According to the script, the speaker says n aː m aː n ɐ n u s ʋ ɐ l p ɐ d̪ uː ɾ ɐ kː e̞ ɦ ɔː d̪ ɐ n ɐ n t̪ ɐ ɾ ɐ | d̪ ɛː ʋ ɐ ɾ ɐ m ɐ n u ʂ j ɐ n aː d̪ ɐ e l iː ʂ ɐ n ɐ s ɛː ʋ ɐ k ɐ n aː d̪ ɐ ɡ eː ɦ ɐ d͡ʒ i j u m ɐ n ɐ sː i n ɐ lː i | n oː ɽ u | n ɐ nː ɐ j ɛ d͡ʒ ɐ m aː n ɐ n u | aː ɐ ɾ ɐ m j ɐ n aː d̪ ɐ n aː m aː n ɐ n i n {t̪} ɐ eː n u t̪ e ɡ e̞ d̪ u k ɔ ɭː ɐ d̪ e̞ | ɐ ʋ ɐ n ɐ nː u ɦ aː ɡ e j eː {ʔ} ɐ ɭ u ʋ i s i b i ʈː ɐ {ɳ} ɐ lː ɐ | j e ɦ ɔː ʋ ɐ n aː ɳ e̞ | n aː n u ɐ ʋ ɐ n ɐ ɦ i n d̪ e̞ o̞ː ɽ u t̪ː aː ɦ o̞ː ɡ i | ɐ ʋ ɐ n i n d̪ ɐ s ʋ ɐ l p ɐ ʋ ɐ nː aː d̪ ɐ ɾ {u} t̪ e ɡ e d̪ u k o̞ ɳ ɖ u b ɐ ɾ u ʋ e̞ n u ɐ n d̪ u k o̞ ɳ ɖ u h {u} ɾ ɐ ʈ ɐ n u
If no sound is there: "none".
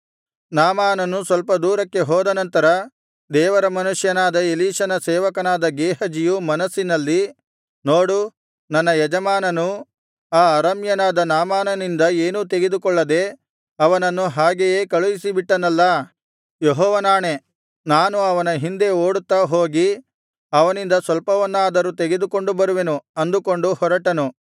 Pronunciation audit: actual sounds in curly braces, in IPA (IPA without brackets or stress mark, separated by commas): d̪, k, n, u, ɔ